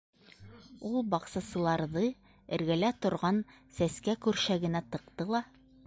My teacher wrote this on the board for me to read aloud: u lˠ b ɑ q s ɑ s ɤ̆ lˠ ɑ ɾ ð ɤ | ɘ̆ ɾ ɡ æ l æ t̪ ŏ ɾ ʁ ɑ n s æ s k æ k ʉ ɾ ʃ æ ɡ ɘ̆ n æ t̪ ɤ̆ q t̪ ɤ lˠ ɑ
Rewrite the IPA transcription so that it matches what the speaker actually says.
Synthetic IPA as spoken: u lˠ b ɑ q s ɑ s ɤ̆ lˠ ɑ ɾ ð ɤ | ɘ̆ ɾ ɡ æ l æ t̪ ŏ ɾ ʁ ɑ n s æ s k æ k ʉ ɾ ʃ æ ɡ ɘ̆ n æ t̪ ɤ̆ q t̪ ɤ lˠ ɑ